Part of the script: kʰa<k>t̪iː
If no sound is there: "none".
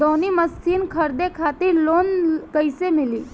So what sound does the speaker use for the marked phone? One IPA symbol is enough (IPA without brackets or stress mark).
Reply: none